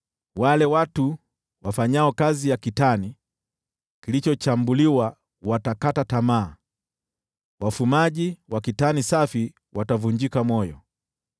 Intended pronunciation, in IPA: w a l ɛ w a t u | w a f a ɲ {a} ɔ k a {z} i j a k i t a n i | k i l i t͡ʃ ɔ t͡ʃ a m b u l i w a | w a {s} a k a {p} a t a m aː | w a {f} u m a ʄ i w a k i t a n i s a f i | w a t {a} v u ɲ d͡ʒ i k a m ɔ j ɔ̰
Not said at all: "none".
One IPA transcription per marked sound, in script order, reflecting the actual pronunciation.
a, z, t, t, f, a

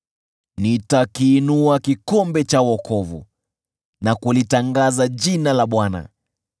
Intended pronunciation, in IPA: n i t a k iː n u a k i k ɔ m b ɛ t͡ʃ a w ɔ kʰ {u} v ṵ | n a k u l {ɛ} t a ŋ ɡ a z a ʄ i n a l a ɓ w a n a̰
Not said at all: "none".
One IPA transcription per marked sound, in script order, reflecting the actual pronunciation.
ɔ, i

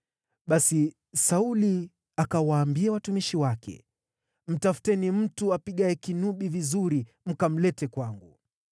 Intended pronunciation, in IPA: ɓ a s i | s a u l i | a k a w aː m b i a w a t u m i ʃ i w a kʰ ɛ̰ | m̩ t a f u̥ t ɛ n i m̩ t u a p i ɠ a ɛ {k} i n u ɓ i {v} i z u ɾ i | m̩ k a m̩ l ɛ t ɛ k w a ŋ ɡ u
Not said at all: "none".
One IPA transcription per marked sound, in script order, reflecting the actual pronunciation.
k, v

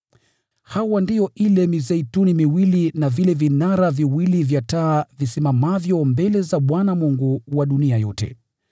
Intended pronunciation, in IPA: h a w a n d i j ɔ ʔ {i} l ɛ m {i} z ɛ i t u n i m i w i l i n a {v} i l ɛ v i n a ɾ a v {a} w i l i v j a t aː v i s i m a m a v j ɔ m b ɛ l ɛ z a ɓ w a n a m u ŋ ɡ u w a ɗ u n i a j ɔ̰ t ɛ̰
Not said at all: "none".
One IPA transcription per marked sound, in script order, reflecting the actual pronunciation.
i, i, v, i

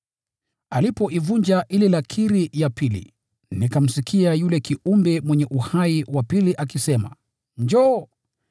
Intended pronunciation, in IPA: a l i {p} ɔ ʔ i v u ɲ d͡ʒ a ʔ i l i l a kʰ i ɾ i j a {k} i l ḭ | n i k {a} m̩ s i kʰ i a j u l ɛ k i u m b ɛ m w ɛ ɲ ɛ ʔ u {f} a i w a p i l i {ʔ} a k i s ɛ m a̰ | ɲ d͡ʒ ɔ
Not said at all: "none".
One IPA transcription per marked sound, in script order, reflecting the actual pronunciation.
p, p, a, h, ʔ

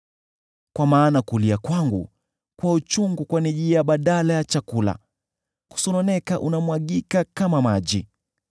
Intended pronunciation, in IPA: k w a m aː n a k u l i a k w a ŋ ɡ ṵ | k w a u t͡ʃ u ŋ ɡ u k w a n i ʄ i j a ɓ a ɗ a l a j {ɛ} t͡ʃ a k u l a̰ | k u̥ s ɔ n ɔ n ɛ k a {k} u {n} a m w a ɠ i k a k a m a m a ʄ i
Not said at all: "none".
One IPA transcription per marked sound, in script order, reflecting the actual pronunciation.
a, ʔ, n

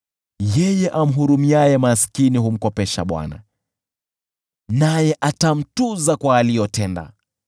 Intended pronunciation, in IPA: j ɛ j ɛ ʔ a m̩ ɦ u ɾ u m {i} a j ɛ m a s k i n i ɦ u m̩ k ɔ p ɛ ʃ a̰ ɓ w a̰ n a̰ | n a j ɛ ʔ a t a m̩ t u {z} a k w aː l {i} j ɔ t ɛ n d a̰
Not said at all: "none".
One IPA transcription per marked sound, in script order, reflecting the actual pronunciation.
i, z, i

